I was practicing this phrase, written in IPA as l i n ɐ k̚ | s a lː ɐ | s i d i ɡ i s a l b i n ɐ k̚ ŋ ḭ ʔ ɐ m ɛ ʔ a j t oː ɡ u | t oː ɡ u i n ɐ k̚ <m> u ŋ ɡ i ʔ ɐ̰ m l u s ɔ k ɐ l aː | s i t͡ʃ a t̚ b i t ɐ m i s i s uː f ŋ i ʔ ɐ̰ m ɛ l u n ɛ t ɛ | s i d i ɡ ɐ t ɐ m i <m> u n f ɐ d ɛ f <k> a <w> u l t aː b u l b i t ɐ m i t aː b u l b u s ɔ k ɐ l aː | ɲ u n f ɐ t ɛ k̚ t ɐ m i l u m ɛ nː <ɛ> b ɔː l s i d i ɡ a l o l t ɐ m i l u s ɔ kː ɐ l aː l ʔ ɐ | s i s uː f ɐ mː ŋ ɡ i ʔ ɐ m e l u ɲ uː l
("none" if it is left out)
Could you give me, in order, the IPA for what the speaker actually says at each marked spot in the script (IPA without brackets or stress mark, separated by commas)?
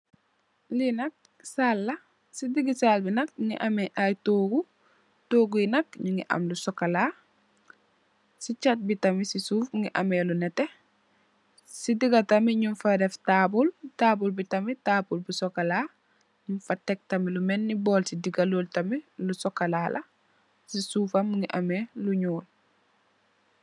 ɲ, ɲ, t, b, i